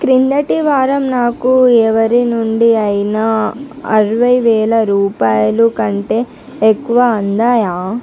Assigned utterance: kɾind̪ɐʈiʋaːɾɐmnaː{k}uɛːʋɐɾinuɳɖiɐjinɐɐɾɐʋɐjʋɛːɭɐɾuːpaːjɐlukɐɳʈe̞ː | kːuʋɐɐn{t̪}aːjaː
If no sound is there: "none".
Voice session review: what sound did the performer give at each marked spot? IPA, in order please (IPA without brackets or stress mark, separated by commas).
k, d̪